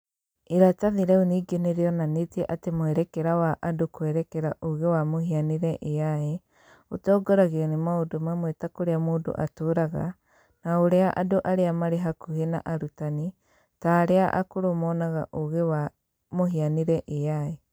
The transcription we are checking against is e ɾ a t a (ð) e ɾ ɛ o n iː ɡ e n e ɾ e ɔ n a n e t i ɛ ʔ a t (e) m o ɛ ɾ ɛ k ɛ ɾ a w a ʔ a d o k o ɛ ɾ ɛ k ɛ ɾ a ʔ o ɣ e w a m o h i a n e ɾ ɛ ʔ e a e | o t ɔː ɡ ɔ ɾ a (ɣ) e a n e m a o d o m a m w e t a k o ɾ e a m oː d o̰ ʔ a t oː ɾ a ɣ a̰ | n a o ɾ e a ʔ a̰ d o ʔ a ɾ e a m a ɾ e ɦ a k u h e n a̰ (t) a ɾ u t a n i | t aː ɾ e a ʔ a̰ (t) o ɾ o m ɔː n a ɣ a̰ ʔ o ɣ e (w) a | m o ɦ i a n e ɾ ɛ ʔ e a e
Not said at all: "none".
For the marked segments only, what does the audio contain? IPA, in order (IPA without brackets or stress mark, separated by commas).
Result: ð, e, ɣ, ʔ, k, w